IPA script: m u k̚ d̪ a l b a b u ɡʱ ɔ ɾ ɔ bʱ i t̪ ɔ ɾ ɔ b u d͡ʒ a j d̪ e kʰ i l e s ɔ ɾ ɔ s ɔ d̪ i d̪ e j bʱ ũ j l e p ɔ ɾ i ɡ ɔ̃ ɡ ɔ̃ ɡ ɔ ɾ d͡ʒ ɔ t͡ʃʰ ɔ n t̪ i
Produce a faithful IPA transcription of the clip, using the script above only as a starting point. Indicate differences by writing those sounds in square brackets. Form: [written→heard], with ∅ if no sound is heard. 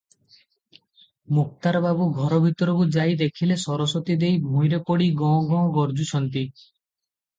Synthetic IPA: m u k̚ [d̪→t̪] a [l→ɾ] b a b u ɡʱ ɔ ɾ ɔ bʱ i t̪ ɔ ɾ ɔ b u d͡ʒ a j d̪ e kʰ i l e s ɔ ɾ ɔ s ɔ [d̪→t̪] i d̪ e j bʱ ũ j [l→ɾ] e p ɔ [ɾ→ɽ] i ɡ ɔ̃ ɡ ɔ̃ ɡ ɔ ɾ d͡ʒ [ɔ→u] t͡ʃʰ ɔ n t̪ i